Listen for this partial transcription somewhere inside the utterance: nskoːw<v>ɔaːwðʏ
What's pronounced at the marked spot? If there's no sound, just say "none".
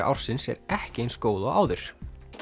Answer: ð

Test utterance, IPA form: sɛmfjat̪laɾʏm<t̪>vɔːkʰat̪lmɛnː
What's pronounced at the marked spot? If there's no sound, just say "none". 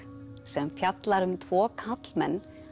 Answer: t̪ʰ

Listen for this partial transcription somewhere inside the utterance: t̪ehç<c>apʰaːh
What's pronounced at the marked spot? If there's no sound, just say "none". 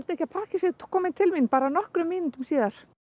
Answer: c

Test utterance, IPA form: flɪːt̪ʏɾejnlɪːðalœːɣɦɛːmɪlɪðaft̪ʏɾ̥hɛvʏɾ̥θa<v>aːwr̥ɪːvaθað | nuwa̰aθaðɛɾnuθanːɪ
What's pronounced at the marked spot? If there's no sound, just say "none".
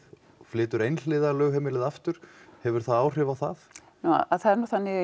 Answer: ð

